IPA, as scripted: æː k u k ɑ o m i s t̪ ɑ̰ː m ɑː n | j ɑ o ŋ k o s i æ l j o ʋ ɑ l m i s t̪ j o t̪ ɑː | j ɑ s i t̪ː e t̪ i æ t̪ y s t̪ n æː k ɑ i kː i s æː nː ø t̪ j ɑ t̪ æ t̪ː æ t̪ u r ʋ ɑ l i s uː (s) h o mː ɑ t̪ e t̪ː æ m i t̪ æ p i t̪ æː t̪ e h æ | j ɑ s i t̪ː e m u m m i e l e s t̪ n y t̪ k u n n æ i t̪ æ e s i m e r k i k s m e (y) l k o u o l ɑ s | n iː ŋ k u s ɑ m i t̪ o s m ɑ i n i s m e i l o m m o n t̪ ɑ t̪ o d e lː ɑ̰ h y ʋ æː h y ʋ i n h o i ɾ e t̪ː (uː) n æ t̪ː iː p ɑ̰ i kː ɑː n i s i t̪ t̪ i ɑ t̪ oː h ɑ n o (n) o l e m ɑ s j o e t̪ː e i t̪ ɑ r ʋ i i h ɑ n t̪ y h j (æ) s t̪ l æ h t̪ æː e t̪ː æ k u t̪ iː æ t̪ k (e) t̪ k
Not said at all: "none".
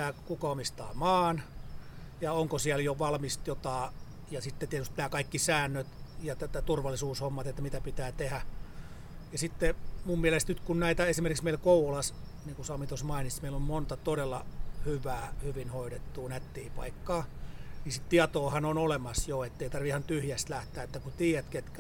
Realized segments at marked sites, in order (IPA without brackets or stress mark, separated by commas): s, i, uː, n, æ, e